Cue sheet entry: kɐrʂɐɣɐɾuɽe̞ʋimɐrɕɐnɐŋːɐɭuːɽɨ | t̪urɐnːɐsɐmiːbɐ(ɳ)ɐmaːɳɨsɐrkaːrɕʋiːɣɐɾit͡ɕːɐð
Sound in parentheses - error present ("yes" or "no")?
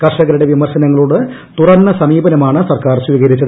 yes